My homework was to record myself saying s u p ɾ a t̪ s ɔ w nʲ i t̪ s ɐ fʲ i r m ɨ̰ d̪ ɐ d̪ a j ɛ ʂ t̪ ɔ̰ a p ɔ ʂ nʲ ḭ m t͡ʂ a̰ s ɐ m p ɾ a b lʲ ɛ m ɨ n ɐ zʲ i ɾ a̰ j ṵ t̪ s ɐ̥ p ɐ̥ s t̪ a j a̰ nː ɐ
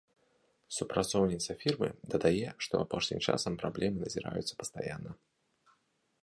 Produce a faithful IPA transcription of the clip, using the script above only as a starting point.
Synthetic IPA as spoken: s u p ɾ a t̪ s ɔ w nʲ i t̪ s ɐ fʲ i r m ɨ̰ d̪ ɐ d̪ a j ɛ ʂ t̪ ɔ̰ a p ɔ ʂ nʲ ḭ m t͡ʂ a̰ s ɐ m p ɾ a b lʲ ɛ m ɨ n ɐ zʲ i ɾ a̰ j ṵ t̪ s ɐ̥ p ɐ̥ s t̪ a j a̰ nː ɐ